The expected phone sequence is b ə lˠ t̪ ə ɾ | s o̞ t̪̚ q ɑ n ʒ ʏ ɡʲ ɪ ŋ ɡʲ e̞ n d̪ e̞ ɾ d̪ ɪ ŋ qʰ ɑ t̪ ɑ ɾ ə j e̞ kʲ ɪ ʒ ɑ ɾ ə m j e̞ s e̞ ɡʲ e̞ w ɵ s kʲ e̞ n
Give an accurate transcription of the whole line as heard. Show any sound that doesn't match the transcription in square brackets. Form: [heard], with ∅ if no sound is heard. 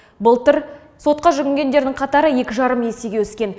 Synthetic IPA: b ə lˠ t̪ ə ɾ | s o̞ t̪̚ q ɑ [∅] ʒ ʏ ɡʲ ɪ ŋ ɡʲ e̞ n d̪ e̞ ɾ d̪ ɪ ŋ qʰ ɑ t̪ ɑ ɾ ə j e̞ kʲ ɪ ʒ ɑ ɾ ə m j e̞ s e̞ ɡʲ e̞ w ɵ s kʲ e̞ n